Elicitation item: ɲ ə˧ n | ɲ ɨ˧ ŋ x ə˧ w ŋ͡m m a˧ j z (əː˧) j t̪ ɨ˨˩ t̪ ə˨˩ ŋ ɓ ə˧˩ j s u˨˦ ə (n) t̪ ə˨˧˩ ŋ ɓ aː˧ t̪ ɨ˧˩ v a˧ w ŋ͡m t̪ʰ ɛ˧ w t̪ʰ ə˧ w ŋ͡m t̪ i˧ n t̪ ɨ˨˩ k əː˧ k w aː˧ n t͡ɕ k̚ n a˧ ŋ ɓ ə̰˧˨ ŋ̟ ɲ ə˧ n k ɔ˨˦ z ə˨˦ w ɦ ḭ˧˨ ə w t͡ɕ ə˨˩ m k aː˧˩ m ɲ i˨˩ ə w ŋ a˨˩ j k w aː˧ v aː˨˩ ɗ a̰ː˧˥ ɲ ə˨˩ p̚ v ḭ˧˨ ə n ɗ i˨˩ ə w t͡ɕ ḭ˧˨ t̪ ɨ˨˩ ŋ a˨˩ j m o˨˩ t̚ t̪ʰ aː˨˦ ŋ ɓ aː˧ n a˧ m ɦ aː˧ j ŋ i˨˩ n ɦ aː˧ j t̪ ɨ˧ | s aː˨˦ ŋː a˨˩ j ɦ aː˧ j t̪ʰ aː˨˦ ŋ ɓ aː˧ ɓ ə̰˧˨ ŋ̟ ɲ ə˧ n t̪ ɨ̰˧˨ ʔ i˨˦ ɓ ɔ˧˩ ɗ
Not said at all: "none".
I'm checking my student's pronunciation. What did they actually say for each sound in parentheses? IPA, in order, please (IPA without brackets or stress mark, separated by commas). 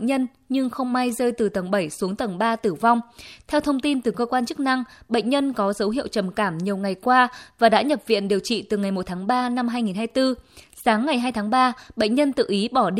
əː˧, ŋ